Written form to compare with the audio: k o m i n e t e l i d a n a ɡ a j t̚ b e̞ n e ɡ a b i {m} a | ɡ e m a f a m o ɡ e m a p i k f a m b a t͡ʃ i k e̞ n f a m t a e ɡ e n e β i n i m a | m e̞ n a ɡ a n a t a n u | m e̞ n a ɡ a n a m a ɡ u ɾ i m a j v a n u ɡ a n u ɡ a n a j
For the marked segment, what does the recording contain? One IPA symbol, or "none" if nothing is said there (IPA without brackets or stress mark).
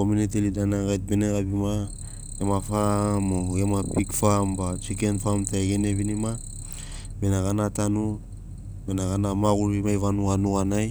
m